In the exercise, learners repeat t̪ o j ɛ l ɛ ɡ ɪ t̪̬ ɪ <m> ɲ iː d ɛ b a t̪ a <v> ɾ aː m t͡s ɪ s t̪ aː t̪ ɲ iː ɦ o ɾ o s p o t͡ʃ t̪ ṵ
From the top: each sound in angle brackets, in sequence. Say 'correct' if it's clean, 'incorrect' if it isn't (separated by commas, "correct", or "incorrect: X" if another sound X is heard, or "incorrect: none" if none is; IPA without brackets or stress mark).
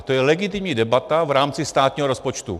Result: correct, correct